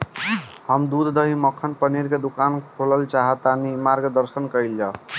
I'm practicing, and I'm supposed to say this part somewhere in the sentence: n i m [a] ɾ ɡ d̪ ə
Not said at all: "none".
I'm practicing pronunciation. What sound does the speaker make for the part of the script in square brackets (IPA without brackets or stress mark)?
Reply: a